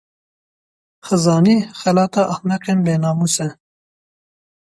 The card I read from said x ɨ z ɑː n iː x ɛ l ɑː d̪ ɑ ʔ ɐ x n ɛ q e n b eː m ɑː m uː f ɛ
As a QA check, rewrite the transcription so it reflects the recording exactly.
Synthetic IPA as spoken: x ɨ z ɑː n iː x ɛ l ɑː t̪ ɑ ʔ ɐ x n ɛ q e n b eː n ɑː m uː s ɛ